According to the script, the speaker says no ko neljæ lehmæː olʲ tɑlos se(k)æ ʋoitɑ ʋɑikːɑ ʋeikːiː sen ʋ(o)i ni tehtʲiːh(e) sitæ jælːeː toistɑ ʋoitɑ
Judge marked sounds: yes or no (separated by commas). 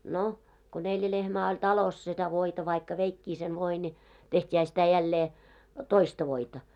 no, yes, no